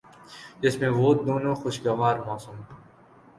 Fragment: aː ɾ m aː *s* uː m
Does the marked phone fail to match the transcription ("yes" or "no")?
no